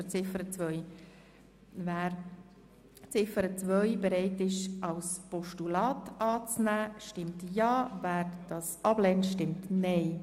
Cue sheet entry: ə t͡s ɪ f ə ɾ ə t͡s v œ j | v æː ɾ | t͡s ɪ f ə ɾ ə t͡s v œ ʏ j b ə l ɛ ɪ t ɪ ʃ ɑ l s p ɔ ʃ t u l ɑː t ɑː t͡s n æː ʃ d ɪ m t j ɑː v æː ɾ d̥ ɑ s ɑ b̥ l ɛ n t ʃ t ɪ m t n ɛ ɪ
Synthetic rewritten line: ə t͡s ɪ f ə ɾ ə t͡s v œ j | v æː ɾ | t͡s ɪ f ə ɾ ə t͡s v œ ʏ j b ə ɾ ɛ ɪ t ɪ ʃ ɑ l s p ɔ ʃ t u l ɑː t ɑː t͡s n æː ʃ t ɪ m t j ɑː v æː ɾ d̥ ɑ s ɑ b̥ l ɛ n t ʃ t ɪ m t n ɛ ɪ